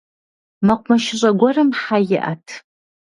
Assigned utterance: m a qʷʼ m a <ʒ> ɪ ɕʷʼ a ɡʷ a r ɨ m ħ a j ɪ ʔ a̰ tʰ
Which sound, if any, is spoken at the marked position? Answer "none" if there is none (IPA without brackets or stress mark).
ʃ